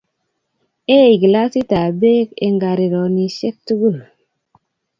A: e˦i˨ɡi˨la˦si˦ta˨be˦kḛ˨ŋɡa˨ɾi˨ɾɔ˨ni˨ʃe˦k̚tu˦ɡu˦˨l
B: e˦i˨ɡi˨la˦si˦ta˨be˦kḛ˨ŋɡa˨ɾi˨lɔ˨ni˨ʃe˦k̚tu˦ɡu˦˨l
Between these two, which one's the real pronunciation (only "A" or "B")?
A